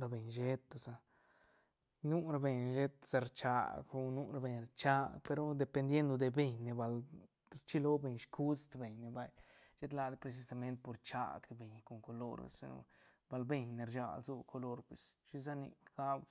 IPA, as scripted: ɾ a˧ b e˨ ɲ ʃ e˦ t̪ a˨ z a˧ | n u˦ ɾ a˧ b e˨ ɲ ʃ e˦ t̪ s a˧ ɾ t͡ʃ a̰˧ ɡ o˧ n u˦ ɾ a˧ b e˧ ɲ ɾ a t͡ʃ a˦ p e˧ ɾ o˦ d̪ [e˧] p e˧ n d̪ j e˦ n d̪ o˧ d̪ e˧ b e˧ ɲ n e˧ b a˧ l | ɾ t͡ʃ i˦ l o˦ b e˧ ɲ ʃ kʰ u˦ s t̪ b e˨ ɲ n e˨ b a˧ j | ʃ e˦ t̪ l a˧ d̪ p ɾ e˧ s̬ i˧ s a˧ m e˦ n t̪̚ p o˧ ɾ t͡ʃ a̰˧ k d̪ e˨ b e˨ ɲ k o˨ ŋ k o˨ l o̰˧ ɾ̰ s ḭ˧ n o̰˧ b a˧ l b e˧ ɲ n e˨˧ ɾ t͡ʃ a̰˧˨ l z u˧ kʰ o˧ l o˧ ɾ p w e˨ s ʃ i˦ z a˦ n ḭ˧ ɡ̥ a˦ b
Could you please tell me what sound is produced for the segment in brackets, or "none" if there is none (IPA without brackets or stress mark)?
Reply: e˧